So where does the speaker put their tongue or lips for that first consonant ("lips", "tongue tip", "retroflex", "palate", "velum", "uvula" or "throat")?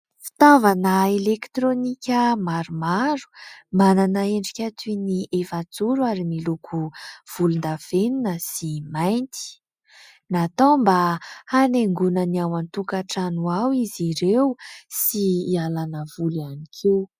lips